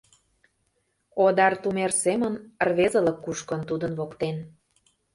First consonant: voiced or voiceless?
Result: voiced